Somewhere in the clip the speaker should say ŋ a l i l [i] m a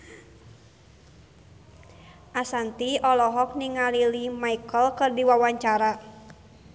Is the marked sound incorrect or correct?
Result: correct